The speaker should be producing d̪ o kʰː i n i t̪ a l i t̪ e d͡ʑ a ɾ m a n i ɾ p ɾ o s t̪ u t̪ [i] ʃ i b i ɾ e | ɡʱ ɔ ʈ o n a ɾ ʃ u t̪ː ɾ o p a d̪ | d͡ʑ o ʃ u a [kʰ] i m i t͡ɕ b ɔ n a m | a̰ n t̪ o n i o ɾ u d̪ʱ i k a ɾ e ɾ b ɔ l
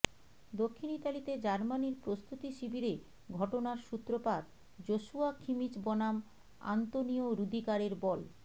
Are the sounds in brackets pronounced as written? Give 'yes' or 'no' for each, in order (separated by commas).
yes, yes